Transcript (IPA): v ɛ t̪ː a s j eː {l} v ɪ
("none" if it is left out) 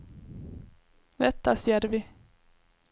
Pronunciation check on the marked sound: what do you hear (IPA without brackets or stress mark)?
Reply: ɾ